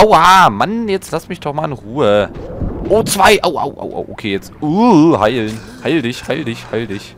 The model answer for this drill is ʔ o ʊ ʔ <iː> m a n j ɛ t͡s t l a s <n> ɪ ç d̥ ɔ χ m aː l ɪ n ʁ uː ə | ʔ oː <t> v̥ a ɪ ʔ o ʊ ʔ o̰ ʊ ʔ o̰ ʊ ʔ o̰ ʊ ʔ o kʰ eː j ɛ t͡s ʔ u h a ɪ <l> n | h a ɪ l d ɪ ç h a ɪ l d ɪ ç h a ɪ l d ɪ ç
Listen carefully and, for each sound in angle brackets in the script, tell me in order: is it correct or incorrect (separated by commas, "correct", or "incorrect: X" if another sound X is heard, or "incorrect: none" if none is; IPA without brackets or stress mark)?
incorrect: aː, incorrect: m, incorrect: t͡s, correct